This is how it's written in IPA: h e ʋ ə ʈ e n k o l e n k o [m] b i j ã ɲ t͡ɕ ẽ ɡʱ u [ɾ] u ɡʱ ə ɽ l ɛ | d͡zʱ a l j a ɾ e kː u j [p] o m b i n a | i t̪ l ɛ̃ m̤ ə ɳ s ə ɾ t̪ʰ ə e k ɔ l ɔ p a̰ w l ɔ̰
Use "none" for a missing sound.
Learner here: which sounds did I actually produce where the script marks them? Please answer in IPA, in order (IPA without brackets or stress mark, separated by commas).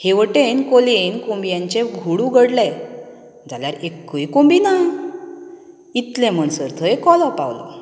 m, ɽ, k